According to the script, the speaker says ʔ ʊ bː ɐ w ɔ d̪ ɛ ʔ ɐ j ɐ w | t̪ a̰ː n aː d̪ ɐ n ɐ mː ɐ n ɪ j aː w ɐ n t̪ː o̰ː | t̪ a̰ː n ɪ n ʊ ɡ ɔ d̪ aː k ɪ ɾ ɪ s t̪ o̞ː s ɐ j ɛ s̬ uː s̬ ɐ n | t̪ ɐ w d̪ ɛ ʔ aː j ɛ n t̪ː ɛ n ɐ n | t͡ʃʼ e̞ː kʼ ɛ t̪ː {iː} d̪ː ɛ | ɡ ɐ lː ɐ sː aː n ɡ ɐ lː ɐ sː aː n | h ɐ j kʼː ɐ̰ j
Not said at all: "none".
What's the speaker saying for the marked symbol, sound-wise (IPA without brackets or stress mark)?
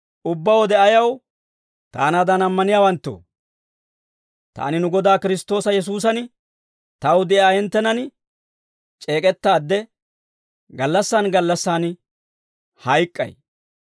aː